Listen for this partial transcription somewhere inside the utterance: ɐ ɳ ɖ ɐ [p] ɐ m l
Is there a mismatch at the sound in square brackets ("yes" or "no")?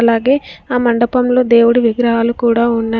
no